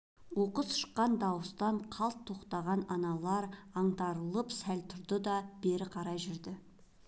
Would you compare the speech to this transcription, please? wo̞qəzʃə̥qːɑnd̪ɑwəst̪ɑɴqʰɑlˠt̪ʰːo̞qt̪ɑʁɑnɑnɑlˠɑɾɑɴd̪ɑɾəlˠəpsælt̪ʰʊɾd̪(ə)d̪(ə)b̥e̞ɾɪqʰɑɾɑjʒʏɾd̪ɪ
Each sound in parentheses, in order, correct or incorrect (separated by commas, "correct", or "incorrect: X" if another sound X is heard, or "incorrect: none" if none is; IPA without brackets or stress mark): correct, incorrect: ɑ